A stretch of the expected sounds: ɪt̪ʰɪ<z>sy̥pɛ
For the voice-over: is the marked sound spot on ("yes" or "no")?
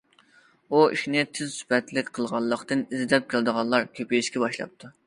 yes